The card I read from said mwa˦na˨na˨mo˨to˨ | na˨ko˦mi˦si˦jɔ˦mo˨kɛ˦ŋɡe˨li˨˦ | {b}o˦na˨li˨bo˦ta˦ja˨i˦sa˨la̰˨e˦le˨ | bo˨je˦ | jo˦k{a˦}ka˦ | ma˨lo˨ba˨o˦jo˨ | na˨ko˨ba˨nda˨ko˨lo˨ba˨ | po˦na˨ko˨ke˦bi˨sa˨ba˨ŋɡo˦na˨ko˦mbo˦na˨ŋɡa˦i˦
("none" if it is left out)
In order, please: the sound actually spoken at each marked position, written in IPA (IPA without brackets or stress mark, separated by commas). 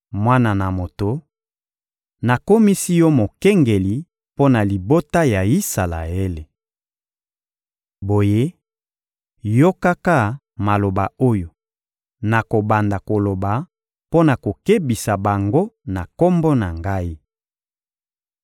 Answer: p, a˦